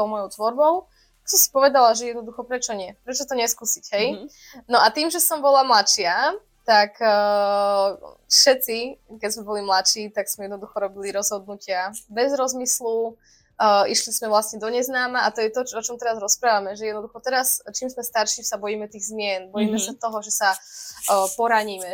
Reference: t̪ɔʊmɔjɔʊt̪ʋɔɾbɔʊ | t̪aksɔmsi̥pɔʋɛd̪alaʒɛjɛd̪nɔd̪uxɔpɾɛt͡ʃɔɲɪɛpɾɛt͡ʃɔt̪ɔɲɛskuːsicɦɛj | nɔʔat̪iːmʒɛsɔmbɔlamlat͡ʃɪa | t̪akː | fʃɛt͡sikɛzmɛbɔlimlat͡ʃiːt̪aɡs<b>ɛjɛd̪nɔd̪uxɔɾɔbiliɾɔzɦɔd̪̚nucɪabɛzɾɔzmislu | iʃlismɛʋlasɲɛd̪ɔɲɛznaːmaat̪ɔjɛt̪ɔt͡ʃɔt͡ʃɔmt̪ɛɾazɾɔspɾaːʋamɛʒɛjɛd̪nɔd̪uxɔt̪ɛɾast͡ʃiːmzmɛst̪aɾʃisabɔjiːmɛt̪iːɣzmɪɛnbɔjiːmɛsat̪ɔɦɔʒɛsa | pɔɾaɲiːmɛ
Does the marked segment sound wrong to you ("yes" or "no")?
yes